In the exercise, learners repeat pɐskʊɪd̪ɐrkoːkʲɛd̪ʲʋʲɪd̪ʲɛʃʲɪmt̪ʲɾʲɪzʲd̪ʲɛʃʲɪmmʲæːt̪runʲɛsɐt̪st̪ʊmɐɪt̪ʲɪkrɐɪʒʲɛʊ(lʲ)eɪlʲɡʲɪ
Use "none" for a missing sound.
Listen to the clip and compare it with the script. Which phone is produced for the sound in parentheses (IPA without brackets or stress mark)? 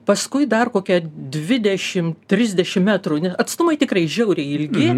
ɾʲ